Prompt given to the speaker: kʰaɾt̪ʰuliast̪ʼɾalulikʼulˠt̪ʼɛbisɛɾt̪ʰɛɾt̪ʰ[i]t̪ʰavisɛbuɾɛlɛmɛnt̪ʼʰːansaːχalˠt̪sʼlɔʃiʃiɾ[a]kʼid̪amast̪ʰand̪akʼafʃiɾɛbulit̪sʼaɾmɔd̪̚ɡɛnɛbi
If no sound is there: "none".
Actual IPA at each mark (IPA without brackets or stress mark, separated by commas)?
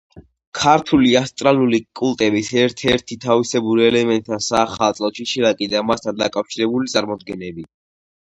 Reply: i, a